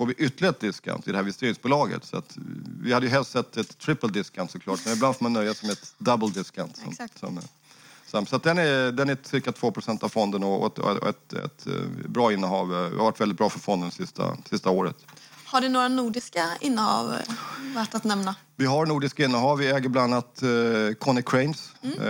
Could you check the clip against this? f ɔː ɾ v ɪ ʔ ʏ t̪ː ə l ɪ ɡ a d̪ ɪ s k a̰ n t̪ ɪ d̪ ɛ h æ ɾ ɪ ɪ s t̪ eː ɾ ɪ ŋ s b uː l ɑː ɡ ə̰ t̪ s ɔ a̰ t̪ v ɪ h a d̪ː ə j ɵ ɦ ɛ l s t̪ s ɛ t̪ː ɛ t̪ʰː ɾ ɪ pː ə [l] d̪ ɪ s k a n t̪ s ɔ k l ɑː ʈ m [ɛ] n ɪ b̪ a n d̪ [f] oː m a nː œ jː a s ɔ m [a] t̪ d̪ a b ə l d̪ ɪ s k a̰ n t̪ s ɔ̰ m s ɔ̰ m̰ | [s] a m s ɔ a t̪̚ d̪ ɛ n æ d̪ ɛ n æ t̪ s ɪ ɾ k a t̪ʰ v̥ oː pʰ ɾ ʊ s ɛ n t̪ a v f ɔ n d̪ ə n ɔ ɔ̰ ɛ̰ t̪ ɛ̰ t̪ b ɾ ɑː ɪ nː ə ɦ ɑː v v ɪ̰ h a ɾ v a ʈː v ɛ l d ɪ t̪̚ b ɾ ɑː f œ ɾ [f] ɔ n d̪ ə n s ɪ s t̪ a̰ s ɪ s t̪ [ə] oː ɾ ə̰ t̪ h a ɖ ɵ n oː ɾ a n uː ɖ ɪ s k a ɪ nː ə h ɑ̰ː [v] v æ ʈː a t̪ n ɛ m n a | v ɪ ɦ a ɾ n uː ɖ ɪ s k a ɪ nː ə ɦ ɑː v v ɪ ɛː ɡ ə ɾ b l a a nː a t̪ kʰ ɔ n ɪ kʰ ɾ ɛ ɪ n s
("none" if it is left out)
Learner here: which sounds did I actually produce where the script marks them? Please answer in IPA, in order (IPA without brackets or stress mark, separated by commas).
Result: l, ɛ, f, ɛ, s, f, a, v